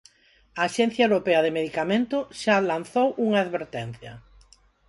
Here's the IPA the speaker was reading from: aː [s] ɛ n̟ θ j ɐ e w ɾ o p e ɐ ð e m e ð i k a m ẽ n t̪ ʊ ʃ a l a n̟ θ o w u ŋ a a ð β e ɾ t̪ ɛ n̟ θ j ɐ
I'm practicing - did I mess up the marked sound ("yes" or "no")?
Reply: yes